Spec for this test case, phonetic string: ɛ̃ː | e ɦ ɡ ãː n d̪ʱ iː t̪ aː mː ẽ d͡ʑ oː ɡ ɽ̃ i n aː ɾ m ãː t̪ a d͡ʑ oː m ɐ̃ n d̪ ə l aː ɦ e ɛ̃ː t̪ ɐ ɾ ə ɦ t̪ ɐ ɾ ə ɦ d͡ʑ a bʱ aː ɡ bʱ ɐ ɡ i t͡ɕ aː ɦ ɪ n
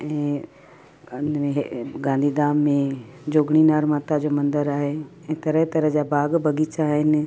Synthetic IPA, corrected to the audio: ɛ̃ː | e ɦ ɡ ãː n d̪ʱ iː d̪ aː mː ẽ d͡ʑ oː ɡ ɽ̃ i n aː ɾ m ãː t̪ a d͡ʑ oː m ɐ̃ n d̪ ə ɾ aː ɦ e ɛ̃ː t̪ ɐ ɾ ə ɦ t̪ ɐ ɾ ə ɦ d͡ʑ a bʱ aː ɡ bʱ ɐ ɡ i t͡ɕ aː ɦ ɪ n